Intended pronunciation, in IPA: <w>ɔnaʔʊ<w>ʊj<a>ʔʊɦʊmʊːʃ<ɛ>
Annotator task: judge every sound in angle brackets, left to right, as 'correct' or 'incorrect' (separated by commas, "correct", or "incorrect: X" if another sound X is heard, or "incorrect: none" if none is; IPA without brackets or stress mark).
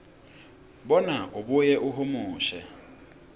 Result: incorrect: b, incorrect: b, incorrect: ɛ, correct